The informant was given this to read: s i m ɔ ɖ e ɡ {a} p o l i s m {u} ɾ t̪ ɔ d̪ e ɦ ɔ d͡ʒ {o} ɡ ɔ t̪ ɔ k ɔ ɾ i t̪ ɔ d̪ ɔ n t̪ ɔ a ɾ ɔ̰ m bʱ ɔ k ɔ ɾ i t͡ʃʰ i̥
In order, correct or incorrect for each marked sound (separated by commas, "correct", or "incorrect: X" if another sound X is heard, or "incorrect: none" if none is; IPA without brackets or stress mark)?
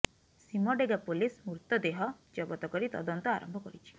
correct, correct, incorrect: ɔ